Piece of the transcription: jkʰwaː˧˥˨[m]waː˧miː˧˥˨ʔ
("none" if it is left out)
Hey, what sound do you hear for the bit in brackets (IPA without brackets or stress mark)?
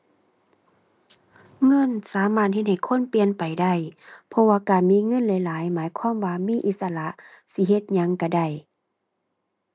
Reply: m